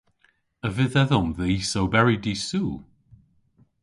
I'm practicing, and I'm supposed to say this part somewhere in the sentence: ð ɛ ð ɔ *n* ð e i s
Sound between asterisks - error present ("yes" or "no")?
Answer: yes